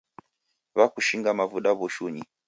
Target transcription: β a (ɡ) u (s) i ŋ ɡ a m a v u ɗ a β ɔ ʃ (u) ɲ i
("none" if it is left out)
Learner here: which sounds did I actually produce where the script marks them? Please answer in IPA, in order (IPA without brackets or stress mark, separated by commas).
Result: k, ʃ, u